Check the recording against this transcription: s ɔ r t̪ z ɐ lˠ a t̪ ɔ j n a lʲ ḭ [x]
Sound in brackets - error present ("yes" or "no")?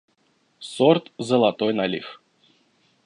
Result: no